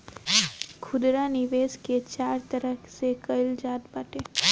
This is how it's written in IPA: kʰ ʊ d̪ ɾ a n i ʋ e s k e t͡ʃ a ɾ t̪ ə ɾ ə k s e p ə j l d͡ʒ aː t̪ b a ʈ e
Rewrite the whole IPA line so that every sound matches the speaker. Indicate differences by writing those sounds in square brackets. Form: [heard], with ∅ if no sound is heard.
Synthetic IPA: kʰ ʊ d̪ ɾ a n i ʋ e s k e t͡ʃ a ɾ t̪ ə ɾ ə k s e [k] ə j l d͡ʒ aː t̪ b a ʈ e